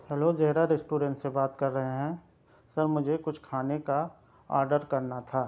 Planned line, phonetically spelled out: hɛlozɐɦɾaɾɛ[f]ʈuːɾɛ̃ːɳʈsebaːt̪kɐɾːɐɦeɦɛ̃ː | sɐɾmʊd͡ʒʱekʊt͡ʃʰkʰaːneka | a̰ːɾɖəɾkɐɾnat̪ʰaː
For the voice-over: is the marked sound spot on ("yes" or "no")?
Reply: no